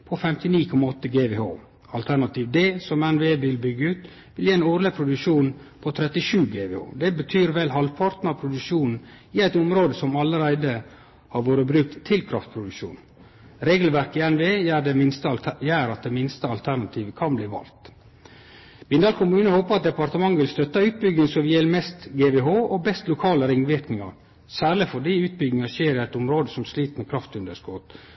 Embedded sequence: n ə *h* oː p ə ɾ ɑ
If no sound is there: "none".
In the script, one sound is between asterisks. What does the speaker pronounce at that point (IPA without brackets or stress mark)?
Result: h